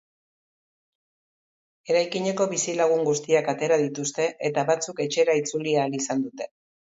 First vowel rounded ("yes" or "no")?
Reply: no